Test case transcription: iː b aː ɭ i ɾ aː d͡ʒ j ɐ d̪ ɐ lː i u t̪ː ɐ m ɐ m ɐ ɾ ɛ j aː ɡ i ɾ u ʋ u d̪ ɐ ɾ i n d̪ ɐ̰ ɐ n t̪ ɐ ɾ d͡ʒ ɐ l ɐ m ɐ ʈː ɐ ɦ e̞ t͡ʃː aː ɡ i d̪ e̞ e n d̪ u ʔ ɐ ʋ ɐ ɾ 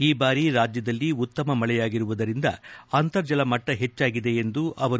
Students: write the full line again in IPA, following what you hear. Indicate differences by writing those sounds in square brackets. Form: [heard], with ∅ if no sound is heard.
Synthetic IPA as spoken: iː b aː [ɾ] i ɾ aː d͡ʒ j ɐ d̪ ɐ lː i u t̪ː ɐ m ɐ m ɐ [ɭ] ɛ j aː ɡ i ɾ u ʋ u d̪ ɐ ɾ i n d̪ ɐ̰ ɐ n t̪ ɐ ɾ d͡ʒ ɐ l ɐ m ɐ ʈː ɐ ɦ e̞ t͡ʃː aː ɡ i d̪ e̞ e n d̪ u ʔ ɐ ʋ ɐ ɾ

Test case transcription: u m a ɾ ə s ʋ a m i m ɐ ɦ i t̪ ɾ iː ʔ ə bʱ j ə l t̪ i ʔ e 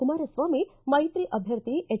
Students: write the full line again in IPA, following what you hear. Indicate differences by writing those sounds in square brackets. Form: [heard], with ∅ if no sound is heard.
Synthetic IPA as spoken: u m a ɾ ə s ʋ a m i m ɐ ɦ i t̪ ɾ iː ʔ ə bʱ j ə [ɾ] t̪ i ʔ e

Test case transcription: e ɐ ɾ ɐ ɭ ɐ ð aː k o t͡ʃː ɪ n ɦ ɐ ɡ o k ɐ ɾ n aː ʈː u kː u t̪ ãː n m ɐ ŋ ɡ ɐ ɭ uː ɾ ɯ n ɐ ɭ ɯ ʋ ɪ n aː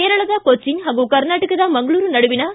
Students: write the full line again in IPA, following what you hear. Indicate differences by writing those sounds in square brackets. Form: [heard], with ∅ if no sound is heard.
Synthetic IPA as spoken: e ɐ ɾ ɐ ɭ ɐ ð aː k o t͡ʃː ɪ n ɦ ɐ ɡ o k ɐ ɾ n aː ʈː [ɯ] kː [ɯ] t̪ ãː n m ɐ ŋ ɡ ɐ ɭ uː ɾ ɯ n ɐ [ɽ] ɯ ʋ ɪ n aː

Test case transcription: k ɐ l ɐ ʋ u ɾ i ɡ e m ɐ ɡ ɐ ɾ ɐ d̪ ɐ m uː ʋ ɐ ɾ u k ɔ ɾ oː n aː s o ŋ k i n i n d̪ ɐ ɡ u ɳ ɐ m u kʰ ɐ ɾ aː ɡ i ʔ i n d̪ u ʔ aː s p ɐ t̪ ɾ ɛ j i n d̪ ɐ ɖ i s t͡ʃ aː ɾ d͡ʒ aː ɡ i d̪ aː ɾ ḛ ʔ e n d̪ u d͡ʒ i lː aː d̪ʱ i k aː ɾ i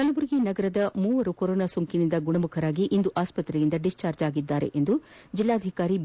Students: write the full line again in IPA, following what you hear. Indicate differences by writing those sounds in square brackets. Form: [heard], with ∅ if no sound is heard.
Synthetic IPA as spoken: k ɐ l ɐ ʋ u ɾ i ɡ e [n] ɐ ɡ ɐ ɾ ɐ d̪ ɐ m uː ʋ ɐ ɾ u k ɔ ɾ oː n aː s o ŋ k i n i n d̪ ɐ ɡ u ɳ ɐ m u kʰ ɐ ɾ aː ɡ i ʔ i n d̪ u ʔ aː s p ɐ t̪ ɾ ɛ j i n d̪ ɐ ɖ i s t͡ʃ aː ɾ d͡ʒ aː ɡ i [d̪ː] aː ɾ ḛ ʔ e n d̪ u d͡ʒ i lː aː d̪ʱ i k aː ɾ i

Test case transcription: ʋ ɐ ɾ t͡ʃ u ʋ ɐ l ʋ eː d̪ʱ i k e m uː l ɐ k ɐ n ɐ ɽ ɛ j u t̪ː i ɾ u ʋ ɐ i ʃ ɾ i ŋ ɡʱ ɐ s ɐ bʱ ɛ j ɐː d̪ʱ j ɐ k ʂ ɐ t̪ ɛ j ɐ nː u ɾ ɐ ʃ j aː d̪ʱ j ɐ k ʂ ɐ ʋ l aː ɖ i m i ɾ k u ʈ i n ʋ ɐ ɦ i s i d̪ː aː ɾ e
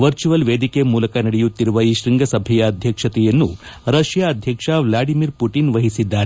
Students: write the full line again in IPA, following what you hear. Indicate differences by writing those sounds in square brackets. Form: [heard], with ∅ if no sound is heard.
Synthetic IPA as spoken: ʋ ɐ ɾ t͡ʃ u ʋ ɐ l ʋ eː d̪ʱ i k e m uː l ɐ k ɐ n ɐ ɽ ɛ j u t̪ː i ɾ u ʋ ɐ i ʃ ɾ i ŋ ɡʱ ɐ s ɐ bʱ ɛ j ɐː d̪ʱ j ɐ k ʂ ɐ t̪ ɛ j ɐ nː u ɾ ɐ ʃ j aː d̪ʱ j ɐ k ʂ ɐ ʋ l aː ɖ i m i ɾ [p] u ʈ i n ʋ ɐ ɦ i s i d̪ː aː ɾ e

